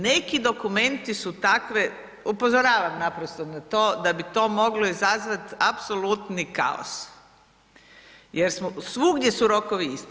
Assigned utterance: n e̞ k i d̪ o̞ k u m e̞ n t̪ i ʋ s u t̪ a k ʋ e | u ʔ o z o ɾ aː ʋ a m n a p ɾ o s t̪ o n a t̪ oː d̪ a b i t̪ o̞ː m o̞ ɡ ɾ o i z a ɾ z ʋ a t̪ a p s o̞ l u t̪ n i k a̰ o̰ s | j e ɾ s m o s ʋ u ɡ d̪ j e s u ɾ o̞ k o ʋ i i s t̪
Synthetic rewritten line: n e̞ k i d̪ o̞ k u m e̞ n t̪ i s u t̪ a k ʋ e | u p o z o ɾ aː ʋ a m n a p ɾ o s t̪ o n a t̪ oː d̪ a b i t̪ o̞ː m o̞ ɡ l o i z a z ʋ a t̪ a p s o̞ l u t̪ n i k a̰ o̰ s | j e ɾ s m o s ʋ u ɡ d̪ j e s u ɾ o̞ k o ʋ i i s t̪